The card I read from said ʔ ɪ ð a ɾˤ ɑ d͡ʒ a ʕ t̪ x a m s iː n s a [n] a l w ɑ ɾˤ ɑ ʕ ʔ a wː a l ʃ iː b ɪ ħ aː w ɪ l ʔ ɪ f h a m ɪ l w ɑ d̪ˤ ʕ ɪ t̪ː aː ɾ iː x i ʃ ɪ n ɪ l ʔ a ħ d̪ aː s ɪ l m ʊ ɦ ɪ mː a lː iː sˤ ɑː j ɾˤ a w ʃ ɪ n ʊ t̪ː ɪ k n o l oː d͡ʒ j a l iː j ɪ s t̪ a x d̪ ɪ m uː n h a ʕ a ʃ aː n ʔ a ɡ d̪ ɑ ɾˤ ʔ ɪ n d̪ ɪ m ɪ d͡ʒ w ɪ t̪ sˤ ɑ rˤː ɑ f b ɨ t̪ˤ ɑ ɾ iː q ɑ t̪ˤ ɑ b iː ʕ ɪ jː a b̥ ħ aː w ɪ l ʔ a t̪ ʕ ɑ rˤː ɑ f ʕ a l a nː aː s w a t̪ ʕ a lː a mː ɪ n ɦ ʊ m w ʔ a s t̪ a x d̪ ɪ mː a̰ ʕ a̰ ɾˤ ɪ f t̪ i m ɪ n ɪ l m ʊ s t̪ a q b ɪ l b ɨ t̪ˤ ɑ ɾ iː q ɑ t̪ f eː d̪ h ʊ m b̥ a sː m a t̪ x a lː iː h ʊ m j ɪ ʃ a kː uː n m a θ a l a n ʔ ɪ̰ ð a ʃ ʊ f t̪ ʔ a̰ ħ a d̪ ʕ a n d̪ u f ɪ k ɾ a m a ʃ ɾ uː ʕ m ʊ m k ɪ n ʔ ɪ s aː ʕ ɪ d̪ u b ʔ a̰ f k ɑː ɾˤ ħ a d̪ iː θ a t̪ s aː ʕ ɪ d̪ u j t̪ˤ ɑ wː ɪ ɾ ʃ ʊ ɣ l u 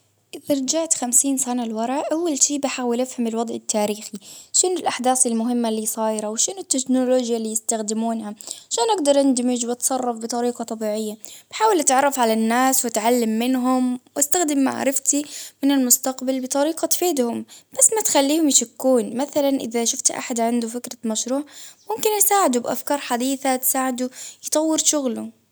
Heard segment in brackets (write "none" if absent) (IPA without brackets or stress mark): n